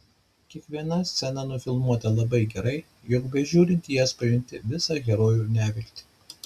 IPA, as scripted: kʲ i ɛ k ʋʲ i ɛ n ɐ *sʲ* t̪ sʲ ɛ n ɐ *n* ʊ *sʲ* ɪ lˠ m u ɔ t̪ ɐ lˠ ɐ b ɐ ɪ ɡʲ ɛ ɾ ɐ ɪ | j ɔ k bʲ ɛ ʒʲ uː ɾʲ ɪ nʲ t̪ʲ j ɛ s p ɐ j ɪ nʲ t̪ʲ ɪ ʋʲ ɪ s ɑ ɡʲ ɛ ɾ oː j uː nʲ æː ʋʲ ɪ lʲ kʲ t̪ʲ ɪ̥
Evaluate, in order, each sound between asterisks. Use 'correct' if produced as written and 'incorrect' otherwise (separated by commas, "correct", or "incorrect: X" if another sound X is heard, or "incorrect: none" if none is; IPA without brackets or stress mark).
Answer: correct, correct, incorrect: fʲ